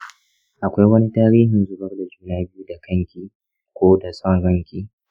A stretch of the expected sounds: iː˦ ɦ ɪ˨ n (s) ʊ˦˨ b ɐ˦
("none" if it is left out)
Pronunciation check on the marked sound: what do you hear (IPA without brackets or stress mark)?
z